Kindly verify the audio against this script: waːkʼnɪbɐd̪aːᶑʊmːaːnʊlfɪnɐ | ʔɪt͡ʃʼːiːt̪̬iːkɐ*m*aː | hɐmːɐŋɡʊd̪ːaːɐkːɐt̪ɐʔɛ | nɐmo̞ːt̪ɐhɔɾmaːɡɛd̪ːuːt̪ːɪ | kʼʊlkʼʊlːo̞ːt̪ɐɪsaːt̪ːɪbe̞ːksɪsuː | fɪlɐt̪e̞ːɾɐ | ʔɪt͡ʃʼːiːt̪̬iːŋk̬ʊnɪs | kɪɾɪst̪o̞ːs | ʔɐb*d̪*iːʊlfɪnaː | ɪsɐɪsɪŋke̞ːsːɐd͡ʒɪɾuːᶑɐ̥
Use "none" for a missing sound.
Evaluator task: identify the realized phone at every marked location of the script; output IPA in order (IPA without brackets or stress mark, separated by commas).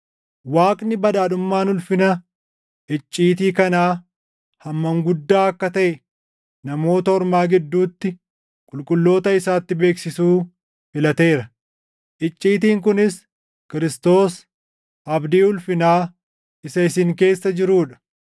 n, d̪